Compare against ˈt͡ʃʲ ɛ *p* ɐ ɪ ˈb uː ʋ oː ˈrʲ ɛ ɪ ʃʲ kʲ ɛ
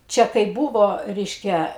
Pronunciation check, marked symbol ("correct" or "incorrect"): incorrect